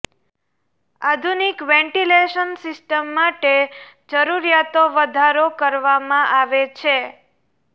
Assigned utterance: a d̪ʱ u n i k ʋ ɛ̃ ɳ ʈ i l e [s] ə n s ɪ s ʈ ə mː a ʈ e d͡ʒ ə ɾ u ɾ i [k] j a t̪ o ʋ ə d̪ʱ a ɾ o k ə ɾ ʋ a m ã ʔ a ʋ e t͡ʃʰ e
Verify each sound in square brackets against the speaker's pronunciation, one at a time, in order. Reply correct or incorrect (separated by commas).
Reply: incorrect, incorrect